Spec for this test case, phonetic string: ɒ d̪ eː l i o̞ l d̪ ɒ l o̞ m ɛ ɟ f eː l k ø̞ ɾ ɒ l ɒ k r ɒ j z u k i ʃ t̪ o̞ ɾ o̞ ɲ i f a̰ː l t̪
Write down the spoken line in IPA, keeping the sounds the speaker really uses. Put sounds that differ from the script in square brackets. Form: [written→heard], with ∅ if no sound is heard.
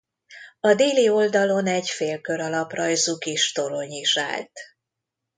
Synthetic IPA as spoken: ɒ d̪ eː l i o̞ l d̪ ɒ l o̞ [m→n] ɛ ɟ f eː l k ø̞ ɾ ɒ l ɒ [k→p] r ɒ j z u k i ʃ t̪ o̞ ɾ o̞ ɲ i [f→ʃ] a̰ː l t̪